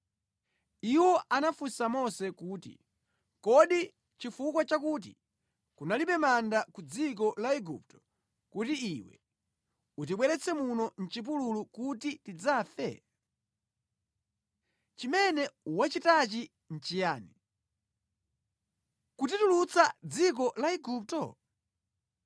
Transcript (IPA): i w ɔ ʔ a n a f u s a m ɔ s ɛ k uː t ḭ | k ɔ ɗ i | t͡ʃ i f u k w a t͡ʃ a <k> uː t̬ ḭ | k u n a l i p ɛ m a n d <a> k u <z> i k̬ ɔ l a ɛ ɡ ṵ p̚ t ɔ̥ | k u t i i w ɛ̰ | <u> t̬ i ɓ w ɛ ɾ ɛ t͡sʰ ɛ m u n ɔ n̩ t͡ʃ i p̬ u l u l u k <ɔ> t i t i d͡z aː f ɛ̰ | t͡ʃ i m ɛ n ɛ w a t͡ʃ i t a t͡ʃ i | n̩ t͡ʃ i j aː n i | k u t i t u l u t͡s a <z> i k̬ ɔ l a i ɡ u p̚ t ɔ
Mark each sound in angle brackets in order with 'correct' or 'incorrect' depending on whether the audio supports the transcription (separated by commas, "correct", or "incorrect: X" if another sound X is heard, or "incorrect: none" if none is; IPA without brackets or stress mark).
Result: correct, correct, incorrect: d͡z, correct, incorrect: u, incorrect: d͡z